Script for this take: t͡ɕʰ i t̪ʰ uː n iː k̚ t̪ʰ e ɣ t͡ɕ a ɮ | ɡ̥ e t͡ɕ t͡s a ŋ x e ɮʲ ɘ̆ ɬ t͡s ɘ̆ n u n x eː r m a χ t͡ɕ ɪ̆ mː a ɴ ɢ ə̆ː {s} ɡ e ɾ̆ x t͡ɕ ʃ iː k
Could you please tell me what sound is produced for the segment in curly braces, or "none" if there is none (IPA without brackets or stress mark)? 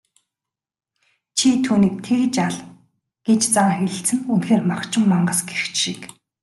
s